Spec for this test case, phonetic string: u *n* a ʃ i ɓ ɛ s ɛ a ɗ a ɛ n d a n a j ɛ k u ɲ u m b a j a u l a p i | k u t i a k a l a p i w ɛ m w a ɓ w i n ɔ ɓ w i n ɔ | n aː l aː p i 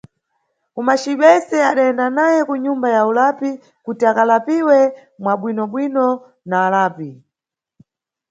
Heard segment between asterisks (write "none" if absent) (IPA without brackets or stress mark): m